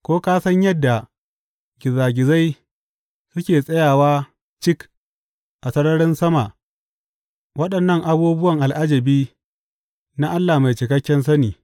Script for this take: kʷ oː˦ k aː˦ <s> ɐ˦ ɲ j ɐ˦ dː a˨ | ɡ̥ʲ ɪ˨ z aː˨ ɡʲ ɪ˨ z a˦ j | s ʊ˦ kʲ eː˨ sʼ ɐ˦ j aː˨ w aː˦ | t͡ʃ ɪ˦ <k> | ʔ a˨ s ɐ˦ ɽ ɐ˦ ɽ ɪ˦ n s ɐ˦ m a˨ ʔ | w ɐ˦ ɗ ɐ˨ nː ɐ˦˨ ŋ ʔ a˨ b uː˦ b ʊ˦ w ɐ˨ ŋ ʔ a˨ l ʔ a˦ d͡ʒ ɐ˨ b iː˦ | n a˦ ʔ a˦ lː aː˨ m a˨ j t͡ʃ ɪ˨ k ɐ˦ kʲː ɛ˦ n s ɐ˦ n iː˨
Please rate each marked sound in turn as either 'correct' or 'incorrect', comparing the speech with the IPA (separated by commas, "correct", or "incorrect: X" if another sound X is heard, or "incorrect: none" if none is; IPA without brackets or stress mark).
correct, correct